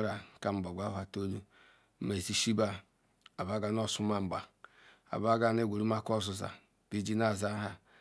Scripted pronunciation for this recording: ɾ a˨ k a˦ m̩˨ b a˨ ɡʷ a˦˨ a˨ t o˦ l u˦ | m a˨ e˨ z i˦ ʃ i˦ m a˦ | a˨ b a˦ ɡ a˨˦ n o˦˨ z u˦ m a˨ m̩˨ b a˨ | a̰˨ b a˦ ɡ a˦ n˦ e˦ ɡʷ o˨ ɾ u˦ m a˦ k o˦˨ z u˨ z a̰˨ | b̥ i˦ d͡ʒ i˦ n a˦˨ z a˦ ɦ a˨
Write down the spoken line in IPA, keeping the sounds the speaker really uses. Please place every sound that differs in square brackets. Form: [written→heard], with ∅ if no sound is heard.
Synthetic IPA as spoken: ɾ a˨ k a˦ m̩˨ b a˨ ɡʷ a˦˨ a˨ t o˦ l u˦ | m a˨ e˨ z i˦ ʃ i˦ [m→b] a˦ | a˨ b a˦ ɡ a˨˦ n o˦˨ [z→s] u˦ m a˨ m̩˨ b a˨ | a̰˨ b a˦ ɡ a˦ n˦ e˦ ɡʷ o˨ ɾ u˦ m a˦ k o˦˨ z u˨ z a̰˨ | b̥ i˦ d͡ʒ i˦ n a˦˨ z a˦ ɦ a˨